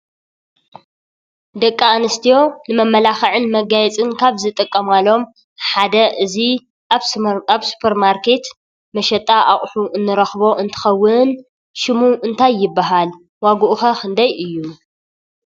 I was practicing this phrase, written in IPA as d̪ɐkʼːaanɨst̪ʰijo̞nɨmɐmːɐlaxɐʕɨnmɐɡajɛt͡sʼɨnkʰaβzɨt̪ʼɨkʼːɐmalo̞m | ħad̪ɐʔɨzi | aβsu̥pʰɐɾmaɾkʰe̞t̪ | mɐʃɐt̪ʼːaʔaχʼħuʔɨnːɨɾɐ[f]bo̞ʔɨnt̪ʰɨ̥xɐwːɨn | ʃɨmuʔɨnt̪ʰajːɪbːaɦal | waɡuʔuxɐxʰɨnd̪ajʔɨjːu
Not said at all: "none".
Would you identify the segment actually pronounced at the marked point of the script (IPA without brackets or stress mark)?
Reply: x